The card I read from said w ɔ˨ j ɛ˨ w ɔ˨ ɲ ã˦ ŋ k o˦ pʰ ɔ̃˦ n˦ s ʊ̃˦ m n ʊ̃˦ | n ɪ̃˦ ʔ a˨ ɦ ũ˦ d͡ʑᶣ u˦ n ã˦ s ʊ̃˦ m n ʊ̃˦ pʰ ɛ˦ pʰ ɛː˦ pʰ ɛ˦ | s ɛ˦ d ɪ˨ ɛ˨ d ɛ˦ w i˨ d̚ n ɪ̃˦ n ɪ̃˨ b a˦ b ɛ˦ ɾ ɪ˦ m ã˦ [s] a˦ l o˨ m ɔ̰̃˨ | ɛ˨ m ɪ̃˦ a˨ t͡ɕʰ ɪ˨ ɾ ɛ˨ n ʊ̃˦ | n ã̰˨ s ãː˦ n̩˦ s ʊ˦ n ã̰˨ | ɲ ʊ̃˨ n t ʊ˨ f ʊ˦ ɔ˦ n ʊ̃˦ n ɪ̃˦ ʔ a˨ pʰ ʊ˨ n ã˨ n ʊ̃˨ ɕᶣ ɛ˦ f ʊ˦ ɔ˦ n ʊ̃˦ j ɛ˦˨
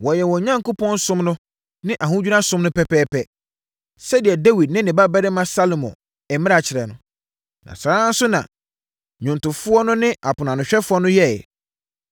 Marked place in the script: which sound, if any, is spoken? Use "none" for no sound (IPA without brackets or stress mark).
s